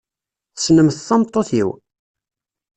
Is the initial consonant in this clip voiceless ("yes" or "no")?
yes